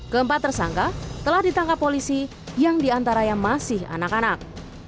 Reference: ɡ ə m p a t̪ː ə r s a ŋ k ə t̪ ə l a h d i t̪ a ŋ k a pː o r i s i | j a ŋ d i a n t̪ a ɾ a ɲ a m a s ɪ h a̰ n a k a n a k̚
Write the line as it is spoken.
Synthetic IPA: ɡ ə m p a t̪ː ə r s a ŋ k a t̪ ə l a h d i t̪ a ŋ k a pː o l i s i | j a ŋ d i a n t̪ a ɾ a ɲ a m a s ɪ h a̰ n a k a n a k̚